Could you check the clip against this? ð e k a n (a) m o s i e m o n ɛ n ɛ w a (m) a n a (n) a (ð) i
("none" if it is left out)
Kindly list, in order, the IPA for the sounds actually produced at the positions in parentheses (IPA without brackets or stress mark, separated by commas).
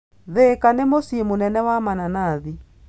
e, m, n, ð